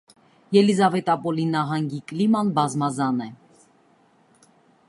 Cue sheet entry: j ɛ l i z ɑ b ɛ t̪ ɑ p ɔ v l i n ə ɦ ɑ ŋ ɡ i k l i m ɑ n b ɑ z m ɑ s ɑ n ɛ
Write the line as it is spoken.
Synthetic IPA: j ɛ l i z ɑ v ɛ t̪ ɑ p ɔ l i n ɑ ɦ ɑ ŋ ɡ i k l i m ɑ n b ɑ z m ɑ z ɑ n ɛ